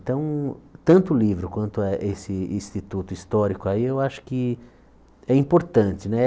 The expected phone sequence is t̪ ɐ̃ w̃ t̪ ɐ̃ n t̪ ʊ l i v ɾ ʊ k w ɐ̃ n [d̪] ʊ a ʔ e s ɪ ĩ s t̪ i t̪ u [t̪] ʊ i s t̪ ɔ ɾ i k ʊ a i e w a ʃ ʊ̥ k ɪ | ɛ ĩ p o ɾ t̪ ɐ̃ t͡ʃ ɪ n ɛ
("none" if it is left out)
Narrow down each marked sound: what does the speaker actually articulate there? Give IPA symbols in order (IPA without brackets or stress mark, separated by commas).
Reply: t̪, t̪